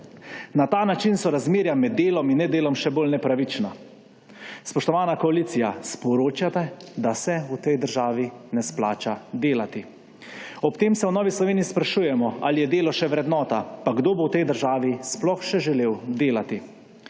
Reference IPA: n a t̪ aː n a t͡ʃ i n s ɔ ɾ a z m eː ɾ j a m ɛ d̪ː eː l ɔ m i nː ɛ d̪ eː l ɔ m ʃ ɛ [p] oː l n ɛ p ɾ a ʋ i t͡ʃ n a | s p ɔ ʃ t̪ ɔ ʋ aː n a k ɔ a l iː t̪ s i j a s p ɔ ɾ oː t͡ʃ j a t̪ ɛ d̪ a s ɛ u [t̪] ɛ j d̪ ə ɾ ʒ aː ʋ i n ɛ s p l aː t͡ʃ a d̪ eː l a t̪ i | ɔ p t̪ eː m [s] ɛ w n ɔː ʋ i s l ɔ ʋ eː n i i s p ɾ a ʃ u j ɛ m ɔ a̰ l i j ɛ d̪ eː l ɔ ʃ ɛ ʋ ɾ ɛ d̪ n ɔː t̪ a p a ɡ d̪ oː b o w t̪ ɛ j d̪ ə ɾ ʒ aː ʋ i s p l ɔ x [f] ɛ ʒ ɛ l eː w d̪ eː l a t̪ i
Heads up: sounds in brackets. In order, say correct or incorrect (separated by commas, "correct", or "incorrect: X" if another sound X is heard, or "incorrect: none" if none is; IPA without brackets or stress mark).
incorrect: b, correct, correct, incorrect: ʃ